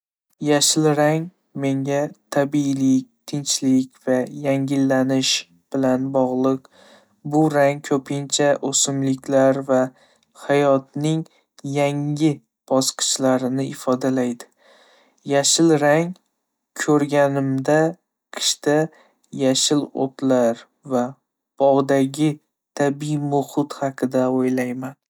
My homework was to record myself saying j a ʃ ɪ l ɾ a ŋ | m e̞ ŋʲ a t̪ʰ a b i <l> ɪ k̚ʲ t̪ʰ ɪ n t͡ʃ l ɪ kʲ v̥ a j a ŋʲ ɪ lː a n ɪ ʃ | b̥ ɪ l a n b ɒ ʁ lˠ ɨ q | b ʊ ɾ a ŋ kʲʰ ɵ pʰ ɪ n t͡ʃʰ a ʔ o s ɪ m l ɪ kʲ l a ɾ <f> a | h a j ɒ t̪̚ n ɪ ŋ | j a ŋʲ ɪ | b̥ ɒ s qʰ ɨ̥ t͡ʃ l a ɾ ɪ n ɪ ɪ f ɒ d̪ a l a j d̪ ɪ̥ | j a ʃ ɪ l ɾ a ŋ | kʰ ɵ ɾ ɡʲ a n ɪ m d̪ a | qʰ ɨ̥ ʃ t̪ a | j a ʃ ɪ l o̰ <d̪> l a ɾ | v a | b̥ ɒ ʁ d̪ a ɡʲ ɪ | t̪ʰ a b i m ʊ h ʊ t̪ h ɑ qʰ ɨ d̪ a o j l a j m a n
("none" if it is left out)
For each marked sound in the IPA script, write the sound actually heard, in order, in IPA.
l, v, t̪

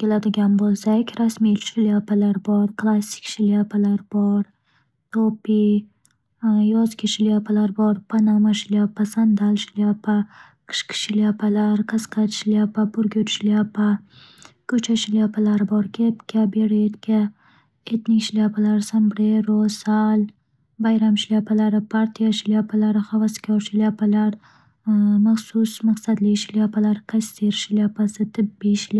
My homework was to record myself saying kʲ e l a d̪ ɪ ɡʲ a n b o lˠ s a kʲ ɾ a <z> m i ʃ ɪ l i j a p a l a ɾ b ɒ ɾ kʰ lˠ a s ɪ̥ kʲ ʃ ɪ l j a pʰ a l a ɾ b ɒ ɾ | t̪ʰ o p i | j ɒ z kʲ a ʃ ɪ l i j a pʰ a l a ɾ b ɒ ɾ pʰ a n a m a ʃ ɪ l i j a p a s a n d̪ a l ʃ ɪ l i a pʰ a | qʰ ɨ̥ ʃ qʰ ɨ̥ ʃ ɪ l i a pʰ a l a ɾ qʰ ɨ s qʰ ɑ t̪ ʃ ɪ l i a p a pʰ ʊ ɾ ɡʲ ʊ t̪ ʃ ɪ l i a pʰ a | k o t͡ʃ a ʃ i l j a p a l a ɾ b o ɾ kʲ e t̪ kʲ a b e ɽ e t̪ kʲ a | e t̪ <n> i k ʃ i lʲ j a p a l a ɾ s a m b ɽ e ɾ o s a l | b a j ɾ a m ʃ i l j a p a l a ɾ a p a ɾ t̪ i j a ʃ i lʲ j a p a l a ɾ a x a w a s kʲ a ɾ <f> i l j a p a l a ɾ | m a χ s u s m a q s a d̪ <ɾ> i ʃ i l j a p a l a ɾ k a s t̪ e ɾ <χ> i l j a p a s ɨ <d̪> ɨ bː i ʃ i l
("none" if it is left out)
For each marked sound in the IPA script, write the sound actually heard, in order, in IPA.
s, n, ʃ, l, ʃ, t̪

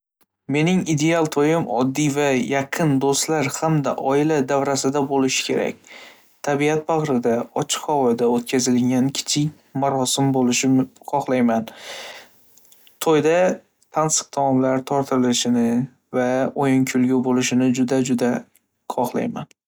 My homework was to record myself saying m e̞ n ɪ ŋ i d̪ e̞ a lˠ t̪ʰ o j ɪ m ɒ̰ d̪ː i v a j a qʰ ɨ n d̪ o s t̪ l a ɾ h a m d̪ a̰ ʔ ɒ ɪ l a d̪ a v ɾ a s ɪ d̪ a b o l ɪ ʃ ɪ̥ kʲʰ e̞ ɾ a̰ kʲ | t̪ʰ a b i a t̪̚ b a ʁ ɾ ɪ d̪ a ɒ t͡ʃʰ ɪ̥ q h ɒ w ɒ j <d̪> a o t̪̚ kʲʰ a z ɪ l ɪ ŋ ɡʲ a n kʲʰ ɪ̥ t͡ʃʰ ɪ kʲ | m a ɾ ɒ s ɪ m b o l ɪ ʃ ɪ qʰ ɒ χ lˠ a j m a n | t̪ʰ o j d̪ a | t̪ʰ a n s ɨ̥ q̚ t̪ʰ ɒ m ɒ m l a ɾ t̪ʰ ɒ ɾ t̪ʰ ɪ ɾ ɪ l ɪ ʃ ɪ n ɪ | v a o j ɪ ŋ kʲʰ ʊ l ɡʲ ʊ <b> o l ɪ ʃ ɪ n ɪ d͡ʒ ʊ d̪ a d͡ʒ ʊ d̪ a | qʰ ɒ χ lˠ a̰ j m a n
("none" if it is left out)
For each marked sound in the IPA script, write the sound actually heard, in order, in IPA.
d̪, b

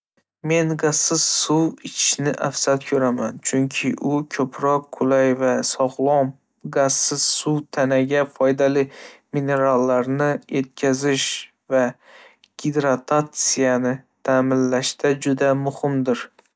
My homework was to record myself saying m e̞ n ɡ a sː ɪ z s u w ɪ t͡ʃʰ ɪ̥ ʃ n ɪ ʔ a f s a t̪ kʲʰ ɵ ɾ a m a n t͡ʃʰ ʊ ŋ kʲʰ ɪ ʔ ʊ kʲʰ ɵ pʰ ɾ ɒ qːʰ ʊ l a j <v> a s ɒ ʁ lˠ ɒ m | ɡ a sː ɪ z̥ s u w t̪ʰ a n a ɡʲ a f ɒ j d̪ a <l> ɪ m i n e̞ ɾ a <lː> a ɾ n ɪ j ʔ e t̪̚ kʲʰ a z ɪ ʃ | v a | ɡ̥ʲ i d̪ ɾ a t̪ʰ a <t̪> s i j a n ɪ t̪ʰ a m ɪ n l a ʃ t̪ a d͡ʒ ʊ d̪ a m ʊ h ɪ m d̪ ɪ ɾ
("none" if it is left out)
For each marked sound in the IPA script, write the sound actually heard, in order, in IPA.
v, l, lː, t̪

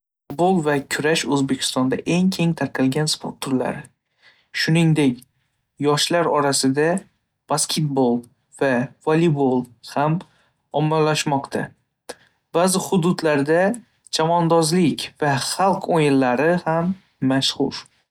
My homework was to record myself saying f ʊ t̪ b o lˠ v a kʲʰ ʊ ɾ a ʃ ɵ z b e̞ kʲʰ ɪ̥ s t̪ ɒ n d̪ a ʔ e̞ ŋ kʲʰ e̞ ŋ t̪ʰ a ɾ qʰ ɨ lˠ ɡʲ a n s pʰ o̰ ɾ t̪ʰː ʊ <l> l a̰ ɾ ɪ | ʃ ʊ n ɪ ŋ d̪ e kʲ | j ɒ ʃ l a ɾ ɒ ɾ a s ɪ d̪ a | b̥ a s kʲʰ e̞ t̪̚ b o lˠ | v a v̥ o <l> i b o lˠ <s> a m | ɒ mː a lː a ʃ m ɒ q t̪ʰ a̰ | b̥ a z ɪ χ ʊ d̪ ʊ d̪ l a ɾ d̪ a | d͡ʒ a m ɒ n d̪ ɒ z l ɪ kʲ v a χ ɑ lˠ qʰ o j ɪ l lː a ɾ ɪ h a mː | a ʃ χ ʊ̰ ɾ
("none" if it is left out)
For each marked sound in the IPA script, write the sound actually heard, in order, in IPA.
ɾ, l, h

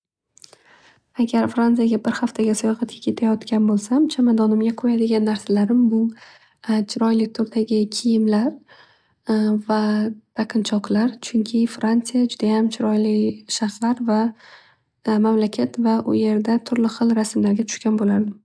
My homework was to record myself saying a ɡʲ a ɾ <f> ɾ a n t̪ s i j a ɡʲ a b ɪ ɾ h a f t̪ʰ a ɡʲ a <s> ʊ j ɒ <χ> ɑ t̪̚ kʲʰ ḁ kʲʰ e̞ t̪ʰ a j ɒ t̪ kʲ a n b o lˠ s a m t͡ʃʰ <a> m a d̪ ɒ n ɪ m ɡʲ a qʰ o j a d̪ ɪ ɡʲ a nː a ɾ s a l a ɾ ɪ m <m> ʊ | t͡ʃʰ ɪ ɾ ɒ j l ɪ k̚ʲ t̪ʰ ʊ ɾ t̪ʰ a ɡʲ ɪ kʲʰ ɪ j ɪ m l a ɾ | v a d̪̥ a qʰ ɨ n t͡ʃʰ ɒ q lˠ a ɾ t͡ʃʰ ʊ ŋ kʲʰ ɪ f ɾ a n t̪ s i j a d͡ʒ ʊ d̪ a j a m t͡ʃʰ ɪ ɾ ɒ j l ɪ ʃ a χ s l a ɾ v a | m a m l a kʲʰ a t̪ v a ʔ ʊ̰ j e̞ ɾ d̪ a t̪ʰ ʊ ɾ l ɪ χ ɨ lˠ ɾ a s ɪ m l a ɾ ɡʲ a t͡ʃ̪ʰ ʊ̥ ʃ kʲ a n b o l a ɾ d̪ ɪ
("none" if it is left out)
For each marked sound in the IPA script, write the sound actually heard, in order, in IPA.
f, s, ʁ, a, b

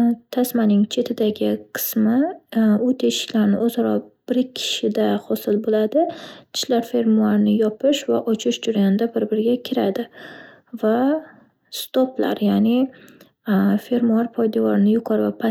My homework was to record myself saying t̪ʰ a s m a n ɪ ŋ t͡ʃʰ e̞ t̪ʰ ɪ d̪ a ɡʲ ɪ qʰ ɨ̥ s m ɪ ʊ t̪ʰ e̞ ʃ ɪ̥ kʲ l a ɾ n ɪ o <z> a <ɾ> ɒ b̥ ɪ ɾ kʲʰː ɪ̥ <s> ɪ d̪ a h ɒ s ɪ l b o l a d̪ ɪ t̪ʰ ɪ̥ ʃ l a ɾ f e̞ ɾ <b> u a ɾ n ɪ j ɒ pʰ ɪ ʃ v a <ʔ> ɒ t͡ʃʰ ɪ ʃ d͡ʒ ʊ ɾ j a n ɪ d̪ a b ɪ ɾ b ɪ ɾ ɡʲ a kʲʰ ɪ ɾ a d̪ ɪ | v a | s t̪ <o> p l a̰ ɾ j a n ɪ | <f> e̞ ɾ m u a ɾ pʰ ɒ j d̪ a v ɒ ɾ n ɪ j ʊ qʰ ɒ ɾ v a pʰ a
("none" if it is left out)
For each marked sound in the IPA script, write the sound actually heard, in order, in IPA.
z, ɾ, ʃ, m, ʔ, o, f

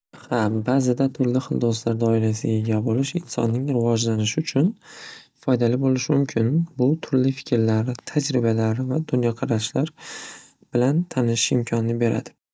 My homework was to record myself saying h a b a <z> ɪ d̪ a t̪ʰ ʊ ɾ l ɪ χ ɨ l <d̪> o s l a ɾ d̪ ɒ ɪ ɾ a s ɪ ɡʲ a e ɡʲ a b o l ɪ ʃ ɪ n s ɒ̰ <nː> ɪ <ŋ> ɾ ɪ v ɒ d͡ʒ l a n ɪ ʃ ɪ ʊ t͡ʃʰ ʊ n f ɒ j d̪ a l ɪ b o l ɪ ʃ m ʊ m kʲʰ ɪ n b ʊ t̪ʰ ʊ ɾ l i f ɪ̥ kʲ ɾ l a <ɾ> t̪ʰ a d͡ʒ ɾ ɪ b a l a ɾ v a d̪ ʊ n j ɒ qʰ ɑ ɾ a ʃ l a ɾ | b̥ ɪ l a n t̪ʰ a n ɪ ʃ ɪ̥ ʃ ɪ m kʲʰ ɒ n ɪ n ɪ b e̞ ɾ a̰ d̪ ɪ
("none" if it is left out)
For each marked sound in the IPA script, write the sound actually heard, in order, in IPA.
z, d̪, nː, ŋ, ɾ

